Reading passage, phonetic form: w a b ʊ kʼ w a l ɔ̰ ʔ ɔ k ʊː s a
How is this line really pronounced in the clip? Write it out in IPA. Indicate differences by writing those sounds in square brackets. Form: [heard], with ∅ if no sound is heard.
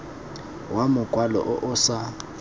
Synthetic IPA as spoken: w a [m] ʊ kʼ w a l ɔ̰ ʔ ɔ [ʔ] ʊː s a